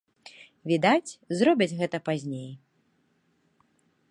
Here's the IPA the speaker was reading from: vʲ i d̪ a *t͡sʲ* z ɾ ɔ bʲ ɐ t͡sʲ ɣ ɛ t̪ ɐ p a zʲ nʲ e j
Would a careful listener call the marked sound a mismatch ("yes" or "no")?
no